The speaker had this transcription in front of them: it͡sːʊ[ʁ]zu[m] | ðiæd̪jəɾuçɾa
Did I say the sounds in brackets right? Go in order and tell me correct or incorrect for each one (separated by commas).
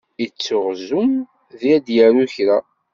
correct, correct